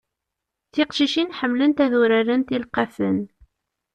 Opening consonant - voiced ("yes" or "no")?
no